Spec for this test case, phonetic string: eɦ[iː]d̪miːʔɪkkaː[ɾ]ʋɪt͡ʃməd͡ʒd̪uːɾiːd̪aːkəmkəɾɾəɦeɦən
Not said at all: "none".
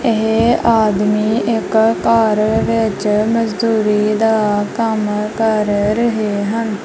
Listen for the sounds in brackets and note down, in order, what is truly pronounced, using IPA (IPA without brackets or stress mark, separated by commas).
aː, ɾ